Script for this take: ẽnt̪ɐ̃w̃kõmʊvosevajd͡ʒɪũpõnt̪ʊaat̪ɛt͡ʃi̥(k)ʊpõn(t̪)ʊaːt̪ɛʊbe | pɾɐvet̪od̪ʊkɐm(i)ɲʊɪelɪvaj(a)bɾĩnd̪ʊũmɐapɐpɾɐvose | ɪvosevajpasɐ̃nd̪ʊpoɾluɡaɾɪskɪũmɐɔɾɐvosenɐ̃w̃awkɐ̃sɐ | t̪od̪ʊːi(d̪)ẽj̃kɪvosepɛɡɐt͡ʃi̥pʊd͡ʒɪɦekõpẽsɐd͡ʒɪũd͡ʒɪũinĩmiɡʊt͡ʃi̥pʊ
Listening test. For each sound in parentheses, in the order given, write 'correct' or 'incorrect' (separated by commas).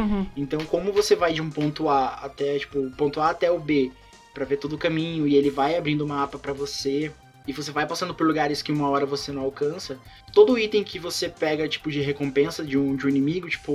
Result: incorrect, correct, incorrect, correct, incorrect